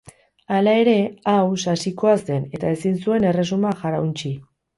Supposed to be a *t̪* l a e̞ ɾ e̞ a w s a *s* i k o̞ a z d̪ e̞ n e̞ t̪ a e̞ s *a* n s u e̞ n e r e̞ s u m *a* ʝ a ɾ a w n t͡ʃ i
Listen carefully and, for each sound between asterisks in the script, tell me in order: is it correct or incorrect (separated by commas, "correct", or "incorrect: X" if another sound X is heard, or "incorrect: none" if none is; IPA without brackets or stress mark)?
incorrect: none, correct, incorrect: i, correct